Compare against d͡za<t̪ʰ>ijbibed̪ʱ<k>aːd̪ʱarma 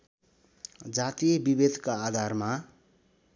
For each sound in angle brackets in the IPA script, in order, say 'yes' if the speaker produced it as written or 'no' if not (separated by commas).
no, yes